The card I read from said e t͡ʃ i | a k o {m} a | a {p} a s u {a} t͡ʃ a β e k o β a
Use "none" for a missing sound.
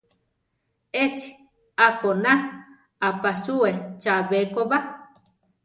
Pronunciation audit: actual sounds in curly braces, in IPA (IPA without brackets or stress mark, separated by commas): n, p, e